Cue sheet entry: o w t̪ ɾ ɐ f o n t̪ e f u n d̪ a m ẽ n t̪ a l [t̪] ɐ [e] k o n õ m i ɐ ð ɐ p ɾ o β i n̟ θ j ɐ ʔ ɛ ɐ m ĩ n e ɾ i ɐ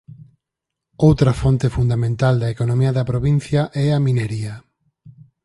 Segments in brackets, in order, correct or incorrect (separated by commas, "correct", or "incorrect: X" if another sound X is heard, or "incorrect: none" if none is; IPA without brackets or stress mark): incorrect: d̪, correct